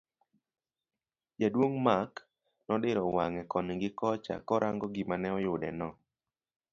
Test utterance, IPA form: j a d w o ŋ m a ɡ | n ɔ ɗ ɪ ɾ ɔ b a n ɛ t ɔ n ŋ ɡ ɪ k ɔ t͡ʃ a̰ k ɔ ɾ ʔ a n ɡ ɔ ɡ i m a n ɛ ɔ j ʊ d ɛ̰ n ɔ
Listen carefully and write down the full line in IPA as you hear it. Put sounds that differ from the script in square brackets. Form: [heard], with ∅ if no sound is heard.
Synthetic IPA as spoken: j a d w o ŋ m a [k] | n ɔ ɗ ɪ ɾ ɔ [w] a [ŋ] ɛ [k] ɔ n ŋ ɡ ɪ k ɔ t͡ʃ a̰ k ɔ ɾ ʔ a [ŋ] ɡ ɔ ɡ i m a n ɛ ɔ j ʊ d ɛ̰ n ɔ